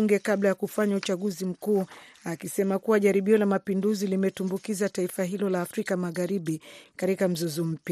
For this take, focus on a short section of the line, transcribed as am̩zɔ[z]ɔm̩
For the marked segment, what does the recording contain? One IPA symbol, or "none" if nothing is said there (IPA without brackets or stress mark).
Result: z